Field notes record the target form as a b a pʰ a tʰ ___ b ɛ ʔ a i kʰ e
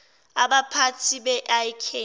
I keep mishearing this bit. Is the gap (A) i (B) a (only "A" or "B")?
A